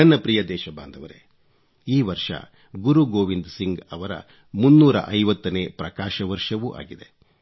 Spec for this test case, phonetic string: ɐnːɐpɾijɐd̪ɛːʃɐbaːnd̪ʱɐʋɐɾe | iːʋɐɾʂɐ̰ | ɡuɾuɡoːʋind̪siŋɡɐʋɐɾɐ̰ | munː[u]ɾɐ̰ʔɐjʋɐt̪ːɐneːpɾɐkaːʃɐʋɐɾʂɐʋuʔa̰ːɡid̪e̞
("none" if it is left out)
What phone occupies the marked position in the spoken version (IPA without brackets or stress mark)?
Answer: uː